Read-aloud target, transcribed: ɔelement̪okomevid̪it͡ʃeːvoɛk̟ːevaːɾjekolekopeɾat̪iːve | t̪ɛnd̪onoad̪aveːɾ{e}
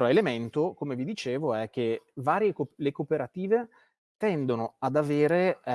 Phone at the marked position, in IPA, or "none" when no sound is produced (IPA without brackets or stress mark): e